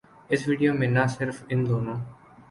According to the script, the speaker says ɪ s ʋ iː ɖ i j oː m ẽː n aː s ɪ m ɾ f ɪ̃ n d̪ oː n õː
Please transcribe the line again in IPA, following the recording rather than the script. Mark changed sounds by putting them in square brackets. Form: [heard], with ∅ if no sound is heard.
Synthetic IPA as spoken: ɪ s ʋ iː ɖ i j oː m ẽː n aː s ɪ [∅] ɾ f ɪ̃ n d̪ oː n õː